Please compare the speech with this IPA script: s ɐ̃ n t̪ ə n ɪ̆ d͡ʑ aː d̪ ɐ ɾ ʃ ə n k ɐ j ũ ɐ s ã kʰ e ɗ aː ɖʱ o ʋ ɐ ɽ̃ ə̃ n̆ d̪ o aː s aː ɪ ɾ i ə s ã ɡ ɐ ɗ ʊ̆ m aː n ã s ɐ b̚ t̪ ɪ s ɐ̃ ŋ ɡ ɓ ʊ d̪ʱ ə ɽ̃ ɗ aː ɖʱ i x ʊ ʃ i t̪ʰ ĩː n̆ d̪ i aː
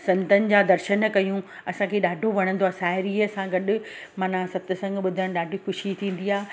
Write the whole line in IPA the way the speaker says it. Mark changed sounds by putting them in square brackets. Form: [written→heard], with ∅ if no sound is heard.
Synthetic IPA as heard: s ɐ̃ n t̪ ə n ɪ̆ d͡ʑ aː d̪ ɐ ɾ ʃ ə n k ɐ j ũ ɐ s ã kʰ e ɗ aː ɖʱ o ʋ ɐ ɽ̃ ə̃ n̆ d̪ o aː s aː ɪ ɾ i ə s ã ɡ ɐ ɗ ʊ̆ m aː n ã s ɐ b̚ t̪ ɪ s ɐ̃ ŋ ɡ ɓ ʊ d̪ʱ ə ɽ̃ ɗ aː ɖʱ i x ʊ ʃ i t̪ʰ ĩː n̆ d̪ i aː